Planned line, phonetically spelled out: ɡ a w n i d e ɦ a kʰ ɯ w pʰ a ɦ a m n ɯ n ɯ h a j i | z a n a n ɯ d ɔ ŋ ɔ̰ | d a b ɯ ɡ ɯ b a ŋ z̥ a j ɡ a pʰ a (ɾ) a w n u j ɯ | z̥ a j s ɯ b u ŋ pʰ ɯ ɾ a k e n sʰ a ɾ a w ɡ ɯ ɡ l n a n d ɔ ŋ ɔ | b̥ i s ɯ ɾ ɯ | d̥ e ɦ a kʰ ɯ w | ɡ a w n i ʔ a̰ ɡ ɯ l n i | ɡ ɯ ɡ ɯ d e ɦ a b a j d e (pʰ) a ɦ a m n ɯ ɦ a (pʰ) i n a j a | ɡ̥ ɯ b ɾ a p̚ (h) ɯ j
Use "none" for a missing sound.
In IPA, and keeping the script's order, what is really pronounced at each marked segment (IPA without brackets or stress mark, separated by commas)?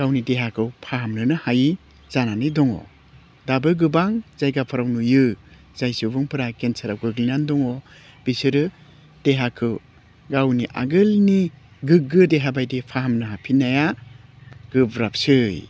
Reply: ɾ, pʰ, pʰ, s